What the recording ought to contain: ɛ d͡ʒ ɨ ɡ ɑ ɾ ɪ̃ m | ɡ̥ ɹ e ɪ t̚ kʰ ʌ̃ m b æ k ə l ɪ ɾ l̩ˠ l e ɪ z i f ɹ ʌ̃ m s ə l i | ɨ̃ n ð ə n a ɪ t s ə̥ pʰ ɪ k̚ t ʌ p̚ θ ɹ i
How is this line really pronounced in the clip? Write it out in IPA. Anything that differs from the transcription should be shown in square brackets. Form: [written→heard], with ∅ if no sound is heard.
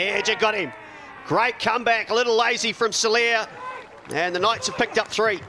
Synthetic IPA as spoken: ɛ d͡ʒ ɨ ɡ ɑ ɾ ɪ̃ m | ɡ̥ ɹ e ɪ t̚ kʰ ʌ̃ m b æ k ə l ɪ ɾ l̩ˠ l e ɪ z i f ɹ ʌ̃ m s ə l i | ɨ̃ n ð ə n a ɪ t s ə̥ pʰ ɪ k̚ t ʌ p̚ θ ɹ i